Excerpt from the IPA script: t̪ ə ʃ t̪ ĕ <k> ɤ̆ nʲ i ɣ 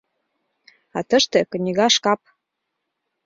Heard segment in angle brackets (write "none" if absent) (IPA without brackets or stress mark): k